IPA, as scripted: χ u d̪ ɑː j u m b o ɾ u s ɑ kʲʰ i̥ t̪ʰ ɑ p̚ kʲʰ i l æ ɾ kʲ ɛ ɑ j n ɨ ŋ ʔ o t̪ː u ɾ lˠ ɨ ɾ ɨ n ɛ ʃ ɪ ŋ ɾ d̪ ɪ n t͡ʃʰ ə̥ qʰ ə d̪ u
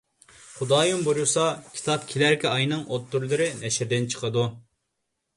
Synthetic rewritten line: χ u d̪ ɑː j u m b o ɾ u s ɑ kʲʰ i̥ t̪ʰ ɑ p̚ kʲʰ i l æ ɾ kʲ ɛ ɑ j n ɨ ŋ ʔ o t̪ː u ɾ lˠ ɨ ɾ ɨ n ɛ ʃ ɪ ɾ d̪ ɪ n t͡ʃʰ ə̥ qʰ ə d̪ u